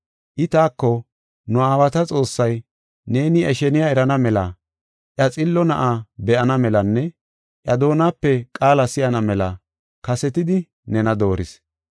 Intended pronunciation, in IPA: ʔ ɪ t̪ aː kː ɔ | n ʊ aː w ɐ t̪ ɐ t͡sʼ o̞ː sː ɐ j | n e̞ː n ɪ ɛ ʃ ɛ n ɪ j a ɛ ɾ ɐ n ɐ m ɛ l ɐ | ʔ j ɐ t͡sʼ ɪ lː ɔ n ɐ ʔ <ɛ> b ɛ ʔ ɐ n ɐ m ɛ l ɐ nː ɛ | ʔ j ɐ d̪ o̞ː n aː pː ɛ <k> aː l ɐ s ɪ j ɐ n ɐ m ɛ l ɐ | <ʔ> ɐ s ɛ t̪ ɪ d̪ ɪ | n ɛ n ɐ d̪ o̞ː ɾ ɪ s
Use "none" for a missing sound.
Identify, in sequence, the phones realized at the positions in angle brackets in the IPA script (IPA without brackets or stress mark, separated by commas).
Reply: a, kʼ, k